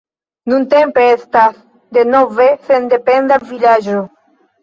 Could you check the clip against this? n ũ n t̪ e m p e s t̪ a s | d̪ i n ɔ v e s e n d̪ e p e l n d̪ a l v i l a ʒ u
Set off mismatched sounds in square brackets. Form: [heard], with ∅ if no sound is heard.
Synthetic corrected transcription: n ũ n t̪ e m p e s t̪ a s | d̪ [e] n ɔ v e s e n d̪ e p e [∅] n d̪ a l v i l a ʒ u